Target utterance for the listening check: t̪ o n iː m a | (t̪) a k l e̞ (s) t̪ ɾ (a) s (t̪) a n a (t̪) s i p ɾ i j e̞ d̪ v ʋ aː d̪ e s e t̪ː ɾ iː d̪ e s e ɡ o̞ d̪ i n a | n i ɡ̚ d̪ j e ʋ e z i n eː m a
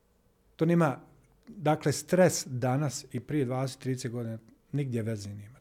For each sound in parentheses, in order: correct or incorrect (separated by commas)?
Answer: incorrect, correct, incorrect, incorrect, incorrect